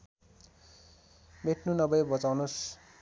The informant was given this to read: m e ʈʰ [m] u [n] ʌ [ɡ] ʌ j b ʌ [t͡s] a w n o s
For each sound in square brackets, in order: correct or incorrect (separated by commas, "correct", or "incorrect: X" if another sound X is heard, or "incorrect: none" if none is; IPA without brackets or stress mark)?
incorrect: n, correct, incorrect: b, correct